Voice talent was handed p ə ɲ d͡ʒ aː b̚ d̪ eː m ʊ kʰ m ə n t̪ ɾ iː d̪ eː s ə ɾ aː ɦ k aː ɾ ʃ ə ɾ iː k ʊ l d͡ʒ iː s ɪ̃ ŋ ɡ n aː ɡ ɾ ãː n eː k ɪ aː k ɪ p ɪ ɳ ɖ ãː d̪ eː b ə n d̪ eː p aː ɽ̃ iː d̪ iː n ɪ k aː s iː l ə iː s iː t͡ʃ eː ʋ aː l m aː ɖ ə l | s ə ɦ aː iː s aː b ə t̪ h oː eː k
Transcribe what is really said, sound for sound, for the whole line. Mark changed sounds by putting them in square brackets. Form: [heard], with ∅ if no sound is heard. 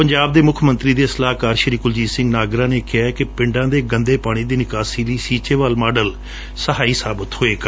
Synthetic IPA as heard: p ə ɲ d͡ʒ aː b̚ d̪ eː m ʊ kʰ m ə n t̪ ɾ iː d̪ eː s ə [l] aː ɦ k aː ɾ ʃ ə ɾ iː k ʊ l d͡ʒ iː s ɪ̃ ŋ ɡ n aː ɡ ɾ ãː n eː k ɪ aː k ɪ p ɪ ɳ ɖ ãː d̪ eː [ɡ] ə n d̪ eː p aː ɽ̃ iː d̪ iː n ɪ k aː s iː l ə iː s iː t͡ʃ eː ʋ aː l m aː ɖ ə l | s ə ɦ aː iː s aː b ə t̪ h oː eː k